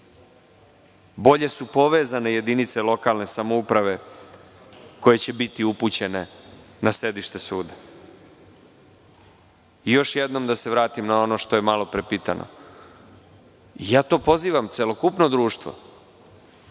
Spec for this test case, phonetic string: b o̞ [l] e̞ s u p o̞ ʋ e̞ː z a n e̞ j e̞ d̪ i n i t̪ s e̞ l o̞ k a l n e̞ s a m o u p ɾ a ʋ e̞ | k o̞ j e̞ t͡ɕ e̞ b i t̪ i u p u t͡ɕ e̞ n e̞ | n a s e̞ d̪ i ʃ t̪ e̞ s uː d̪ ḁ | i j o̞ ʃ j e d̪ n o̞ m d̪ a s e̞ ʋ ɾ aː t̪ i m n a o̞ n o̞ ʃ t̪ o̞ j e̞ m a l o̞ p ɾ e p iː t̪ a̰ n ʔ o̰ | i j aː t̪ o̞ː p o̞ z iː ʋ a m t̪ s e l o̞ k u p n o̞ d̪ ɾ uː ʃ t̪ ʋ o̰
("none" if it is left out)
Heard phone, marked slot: ʎ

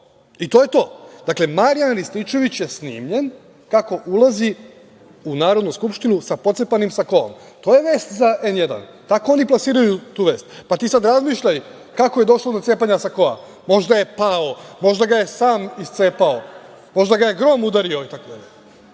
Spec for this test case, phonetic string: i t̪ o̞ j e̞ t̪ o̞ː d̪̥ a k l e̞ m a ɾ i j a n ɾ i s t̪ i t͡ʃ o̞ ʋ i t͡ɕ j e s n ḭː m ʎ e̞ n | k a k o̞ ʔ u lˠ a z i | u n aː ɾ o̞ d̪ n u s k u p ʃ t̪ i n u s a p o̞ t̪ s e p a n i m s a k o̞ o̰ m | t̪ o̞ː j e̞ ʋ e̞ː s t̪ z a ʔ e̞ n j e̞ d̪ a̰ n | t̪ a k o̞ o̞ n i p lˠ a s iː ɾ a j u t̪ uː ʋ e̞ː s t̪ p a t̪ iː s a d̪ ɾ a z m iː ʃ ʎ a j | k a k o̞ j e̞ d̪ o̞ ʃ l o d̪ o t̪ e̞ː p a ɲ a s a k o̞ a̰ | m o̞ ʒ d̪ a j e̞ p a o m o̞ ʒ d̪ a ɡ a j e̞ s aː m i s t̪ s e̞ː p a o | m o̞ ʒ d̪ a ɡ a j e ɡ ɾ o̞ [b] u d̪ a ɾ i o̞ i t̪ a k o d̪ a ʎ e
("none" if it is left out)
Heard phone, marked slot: m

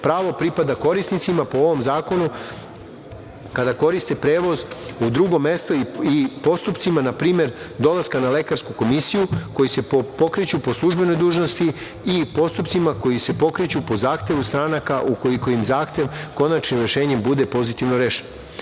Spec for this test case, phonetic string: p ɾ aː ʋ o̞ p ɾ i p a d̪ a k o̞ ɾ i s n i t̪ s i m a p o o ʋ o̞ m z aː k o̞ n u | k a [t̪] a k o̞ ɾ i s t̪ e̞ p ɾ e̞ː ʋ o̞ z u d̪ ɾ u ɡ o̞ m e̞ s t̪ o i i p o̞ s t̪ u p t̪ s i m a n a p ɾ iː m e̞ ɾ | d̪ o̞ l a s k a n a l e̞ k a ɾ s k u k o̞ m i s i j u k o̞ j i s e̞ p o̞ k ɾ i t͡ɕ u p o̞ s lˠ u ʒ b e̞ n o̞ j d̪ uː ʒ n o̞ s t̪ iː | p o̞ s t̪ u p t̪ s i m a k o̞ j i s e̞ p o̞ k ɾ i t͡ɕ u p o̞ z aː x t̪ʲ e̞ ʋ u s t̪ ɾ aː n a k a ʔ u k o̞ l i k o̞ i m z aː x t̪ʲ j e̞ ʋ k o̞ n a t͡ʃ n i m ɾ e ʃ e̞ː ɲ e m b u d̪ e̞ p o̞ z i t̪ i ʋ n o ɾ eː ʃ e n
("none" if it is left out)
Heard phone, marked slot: d̪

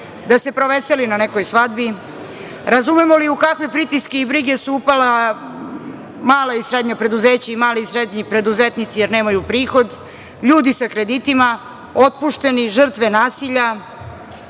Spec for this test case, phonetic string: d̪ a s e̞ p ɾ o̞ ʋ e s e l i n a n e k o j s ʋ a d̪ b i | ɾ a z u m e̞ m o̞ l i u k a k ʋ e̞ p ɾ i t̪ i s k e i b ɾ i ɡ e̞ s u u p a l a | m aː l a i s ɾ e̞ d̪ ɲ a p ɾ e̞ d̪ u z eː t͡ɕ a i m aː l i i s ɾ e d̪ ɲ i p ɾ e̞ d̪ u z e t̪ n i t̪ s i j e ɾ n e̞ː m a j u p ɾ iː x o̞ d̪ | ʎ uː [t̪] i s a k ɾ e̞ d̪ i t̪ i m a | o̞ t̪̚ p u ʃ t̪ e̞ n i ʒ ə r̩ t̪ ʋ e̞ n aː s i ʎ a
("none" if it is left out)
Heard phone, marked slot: d̪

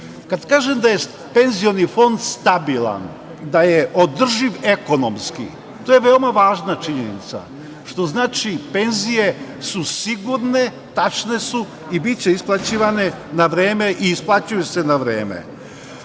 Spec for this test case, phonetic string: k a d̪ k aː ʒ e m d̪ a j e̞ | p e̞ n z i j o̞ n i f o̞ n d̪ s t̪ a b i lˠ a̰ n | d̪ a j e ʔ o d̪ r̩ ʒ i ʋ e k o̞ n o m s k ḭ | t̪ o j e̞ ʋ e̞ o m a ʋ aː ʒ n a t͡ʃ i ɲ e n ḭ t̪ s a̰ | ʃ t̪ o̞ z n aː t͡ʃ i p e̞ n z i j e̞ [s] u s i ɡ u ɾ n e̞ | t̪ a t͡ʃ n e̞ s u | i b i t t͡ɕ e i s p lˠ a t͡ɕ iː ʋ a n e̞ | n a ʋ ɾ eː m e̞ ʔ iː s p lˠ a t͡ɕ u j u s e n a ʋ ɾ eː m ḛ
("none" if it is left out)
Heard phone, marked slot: s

